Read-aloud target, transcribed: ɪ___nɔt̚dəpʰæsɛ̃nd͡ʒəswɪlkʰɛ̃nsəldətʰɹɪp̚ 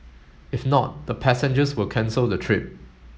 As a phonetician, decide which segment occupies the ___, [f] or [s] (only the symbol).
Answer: f